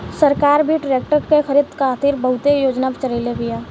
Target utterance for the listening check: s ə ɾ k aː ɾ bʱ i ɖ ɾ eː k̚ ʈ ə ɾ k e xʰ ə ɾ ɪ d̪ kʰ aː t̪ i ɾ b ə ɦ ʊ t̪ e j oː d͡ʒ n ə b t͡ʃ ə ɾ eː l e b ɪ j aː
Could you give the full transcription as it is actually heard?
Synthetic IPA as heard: s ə ɾ k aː ɾ bʱ i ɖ ɾ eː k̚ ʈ ə ɾ k e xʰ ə ɾ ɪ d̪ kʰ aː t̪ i ɾ b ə ɦ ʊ t̪ e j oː d͡ʒ n a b t͡ʃ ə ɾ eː l e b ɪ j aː